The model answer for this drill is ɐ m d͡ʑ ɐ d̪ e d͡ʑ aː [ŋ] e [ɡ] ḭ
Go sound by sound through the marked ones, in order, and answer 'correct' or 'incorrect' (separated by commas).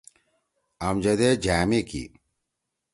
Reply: incorrect, incorrect